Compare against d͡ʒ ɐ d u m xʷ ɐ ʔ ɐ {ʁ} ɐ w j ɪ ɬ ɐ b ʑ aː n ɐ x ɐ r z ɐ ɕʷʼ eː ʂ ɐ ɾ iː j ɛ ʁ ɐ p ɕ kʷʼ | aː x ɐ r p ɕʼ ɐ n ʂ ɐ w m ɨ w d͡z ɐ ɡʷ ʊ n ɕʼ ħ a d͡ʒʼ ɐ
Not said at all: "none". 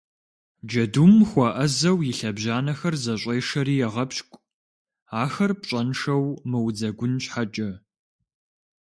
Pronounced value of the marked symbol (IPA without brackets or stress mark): z